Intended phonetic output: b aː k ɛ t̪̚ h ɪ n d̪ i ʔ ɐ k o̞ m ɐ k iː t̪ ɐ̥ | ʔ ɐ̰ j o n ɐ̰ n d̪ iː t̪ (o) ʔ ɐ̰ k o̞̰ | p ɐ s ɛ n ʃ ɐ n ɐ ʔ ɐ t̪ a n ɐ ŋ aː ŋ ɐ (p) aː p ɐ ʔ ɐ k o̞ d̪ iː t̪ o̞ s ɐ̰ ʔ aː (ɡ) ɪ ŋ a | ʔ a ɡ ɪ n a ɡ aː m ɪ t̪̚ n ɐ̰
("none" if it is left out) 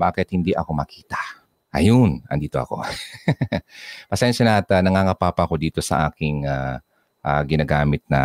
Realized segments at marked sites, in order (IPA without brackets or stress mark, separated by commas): o, p, k